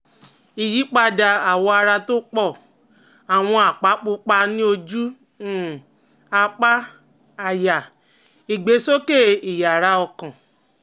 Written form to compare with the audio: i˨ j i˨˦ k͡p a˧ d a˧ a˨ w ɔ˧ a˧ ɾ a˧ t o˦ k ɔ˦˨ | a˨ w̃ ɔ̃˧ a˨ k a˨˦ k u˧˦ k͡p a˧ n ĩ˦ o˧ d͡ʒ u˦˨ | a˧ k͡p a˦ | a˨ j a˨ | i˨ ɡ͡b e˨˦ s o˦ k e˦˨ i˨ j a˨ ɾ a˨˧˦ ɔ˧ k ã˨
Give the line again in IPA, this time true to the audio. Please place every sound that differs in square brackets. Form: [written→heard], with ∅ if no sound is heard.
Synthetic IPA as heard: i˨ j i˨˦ k͡p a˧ d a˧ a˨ w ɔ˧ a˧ ɾ a˧ t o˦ [k→k͡p] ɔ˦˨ | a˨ w̃ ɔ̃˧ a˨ [k→k͡p] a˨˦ [k→k͡p] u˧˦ k͡p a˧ n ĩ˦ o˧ d͡ʒ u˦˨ | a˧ k͡p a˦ | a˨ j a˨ | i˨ ɡ͡b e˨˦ s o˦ k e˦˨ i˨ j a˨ ɾ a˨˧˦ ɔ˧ k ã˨